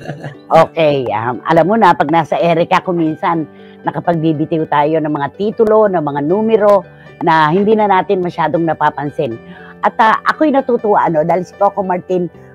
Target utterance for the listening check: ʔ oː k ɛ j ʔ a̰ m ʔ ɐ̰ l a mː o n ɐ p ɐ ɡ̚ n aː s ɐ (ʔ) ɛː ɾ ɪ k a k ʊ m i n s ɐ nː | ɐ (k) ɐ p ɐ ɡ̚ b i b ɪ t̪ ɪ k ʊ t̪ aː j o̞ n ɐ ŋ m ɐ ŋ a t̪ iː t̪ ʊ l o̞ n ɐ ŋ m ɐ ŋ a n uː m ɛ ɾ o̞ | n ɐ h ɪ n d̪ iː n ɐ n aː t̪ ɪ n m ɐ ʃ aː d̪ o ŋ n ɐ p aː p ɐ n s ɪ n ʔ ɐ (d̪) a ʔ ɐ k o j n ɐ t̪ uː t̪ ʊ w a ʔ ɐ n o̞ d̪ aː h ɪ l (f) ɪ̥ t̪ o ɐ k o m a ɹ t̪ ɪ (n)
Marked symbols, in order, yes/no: yes, yes, no, no, yes

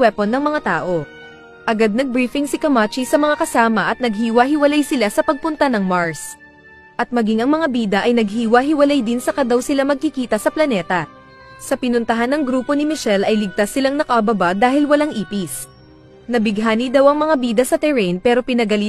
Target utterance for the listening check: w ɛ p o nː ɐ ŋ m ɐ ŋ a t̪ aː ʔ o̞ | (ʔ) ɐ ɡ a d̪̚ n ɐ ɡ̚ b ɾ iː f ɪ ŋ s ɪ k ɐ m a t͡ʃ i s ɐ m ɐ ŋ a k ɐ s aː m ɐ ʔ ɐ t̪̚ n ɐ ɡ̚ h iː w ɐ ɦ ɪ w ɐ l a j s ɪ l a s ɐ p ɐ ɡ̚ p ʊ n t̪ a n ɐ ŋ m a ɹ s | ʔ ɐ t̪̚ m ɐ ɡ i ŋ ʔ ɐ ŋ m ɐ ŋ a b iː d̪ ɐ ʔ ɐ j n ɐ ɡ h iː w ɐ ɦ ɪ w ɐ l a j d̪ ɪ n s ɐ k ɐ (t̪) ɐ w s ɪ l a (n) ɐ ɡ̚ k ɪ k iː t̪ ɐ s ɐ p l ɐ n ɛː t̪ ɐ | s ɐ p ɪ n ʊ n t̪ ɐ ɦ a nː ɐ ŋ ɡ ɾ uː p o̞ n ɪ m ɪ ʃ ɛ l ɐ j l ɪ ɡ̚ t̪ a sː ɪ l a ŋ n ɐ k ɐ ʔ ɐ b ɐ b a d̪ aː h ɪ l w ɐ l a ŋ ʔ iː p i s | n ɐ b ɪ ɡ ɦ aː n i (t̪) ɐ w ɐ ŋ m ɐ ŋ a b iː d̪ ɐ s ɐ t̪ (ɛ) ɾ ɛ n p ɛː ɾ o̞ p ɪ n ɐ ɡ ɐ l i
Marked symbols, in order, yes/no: yes, no, no, no, yes

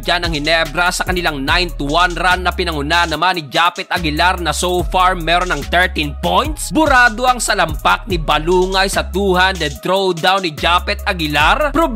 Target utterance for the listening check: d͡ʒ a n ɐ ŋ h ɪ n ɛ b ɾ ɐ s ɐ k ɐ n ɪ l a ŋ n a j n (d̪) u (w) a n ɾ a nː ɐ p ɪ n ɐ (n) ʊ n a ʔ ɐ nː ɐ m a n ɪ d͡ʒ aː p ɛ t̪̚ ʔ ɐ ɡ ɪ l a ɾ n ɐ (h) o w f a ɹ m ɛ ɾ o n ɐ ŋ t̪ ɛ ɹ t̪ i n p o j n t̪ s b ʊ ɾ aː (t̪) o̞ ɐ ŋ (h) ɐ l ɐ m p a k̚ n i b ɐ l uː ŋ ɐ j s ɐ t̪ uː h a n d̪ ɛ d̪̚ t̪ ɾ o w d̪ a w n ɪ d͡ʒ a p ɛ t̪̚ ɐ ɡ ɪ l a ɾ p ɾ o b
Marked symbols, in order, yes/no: no, yes, no, no, no, no

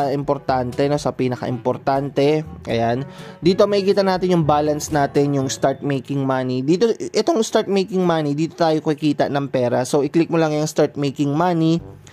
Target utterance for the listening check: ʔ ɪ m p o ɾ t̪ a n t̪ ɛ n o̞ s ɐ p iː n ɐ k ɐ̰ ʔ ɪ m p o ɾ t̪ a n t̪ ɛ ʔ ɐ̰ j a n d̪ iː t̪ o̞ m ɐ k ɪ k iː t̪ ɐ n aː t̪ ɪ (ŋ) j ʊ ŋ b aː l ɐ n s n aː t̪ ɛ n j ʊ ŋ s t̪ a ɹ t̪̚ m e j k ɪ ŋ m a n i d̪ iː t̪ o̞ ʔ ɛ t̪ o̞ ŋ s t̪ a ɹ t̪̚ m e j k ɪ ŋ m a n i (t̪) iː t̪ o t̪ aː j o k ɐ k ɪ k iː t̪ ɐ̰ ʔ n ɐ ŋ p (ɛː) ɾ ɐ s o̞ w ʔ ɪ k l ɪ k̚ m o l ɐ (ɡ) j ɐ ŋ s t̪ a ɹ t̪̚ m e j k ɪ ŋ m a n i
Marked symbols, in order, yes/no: no, no, yes, no

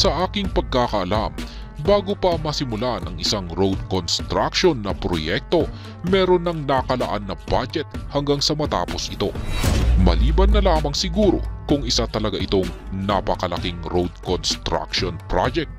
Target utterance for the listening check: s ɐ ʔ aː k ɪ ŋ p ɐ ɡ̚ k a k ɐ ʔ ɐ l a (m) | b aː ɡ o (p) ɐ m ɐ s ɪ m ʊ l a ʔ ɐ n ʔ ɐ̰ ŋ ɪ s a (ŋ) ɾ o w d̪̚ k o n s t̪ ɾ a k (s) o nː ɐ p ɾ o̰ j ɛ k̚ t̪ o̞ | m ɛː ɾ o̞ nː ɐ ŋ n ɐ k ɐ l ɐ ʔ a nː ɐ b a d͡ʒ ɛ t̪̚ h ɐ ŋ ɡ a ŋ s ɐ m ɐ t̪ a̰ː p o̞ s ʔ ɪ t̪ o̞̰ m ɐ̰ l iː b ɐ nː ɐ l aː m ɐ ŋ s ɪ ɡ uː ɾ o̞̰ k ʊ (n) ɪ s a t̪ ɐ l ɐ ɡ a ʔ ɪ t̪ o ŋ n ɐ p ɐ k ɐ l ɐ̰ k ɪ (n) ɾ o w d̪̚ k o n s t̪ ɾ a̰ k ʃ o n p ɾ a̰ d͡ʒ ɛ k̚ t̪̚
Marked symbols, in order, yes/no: yes, yes, yes, no, no, no

